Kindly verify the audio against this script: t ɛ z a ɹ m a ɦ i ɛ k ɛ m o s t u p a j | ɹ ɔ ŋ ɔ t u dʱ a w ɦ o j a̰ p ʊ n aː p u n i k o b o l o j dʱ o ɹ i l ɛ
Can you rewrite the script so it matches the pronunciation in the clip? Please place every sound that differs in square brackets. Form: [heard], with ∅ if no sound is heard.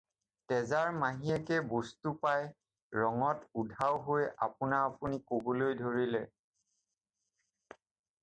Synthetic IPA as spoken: t ɛ z a ɹ m a ɦ i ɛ k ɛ [b] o s t u p a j | ɹ ɔ ŋ ɔ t u dʱ a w ɦ o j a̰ p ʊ n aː p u n i k o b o l o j dʱ o ɹ i l ɛ